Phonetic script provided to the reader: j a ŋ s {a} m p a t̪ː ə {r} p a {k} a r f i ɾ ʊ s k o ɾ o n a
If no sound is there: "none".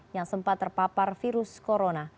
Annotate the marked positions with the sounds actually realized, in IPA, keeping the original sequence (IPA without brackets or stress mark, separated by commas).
ə, r, p